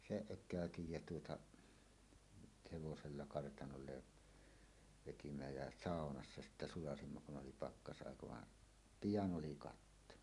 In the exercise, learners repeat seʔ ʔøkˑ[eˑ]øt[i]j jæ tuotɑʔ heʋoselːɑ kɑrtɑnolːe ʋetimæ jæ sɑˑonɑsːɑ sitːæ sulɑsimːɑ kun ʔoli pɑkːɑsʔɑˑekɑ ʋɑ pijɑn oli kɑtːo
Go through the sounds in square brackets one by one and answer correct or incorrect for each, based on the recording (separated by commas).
incorrect, correct